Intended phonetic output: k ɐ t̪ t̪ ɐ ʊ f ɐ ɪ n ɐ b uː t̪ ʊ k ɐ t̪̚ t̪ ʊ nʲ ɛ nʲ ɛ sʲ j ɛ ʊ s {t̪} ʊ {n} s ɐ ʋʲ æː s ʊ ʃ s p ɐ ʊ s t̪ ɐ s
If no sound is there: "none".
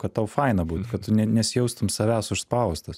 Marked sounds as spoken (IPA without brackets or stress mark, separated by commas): t̪, m